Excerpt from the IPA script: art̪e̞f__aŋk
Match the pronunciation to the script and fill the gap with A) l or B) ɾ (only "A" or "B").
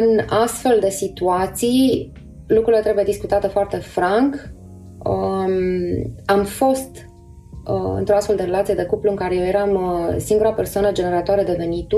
B